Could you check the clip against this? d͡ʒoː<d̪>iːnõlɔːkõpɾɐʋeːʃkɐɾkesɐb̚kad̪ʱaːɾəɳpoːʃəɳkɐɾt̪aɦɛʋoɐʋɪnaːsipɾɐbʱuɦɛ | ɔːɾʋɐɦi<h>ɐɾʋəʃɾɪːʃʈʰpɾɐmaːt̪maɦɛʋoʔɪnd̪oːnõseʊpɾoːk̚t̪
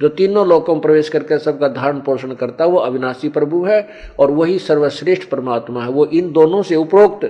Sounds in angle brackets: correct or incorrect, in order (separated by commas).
incorrect, incorrect